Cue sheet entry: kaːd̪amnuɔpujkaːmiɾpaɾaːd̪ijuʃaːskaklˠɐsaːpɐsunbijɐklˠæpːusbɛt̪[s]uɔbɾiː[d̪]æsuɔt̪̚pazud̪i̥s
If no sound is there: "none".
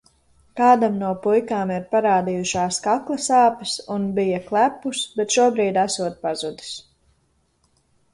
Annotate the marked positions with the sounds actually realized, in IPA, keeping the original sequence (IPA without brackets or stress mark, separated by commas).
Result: ʃ, d̪